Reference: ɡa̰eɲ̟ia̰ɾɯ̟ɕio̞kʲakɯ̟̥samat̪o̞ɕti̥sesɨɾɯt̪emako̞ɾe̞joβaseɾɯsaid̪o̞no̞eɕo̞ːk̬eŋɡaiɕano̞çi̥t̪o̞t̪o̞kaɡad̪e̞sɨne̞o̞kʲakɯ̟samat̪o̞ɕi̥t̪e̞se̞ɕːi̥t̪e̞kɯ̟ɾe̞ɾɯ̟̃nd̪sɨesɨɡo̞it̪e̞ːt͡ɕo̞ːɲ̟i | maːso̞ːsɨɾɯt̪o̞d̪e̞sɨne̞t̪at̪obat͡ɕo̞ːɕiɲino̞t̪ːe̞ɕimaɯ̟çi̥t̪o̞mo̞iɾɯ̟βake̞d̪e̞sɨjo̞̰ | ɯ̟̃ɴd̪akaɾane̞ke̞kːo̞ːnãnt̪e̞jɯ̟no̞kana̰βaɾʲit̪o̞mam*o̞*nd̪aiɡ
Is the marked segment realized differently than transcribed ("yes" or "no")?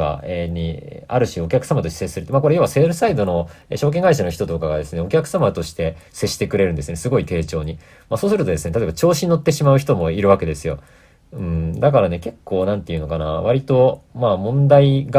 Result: yes